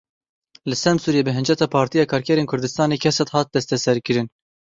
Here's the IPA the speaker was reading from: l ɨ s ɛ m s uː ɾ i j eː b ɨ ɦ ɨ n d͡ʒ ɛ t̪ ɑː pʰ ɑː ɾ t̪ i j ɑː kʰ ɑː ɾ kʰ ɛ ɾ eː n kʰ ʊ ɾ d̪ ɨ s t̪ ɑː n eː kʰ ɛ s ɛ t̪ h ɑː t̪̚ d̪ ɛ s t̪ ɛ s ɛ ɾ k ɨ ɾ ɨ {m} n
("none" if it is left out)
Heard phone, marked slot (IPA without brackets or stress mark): none